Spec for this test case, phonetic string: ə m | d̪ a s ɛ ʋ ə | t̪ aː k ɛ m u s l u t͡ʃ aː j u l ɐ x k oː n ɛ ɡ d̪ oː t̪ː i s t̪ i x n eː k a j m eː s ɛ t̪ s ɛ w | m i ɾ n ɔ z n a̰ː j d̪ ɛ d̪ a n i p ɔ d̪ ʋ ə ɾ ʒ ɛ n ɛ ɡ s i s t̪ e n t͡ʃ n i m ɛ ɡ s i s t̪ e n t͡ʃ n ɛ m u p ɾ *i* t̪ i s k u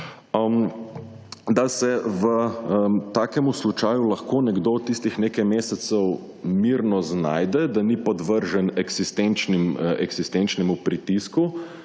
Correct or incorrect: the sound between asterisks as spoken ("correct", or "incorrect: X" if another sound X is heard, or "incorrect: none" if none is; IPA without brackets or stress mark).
correct